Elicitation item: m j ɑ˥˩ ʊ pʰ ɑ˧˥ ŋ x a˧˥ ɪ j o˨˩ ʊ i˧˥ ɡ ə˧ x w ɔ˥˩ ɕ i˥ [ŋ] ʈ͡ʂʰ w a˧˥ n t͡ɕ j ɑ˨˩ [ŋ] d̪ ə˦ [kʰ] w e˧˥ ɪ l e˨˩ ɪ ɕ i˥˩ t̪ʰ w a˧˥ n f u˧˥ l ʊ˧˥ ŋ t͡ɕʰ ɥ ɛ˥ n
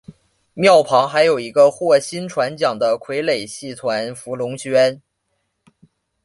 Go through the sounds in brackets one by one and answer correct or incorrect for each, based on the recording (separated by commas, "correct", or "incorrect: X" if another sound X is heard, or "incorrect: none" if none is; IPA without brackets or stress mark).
incorrect: n, correct, correct